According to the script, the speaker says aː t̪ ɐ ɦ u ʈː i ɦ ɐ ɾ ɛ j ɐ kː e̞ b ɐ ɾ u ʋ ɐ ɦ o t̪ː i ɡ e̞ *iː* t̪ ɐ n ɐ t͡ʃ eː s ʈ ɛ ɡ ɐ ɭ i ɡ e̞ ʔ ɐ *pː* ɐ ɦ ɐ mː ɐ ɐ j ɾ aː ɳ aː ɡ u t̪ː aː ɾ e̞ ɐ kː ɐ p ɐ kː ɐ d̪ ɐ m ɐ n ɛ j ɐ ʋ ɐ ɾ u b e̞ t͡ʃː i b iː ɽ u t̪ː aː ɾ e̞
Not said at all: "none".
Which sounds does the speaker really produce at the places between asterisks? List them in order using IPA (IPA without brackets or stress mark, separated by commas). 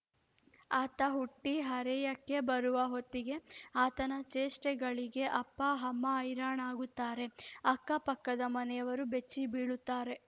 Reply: aː, pː